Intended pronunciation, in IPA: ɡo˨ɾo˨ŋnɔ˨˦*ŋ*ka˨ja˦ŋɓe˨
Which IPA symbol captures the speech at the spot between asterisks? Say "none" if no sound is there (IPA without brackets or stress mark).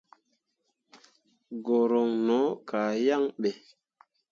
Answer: none